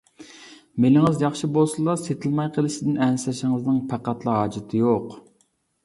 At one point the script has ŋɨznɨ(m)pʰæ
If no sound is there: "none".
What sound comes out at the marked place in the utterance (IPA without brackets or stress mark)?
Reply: ŋ